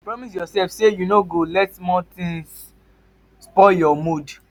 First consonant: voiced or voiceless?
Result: voiceless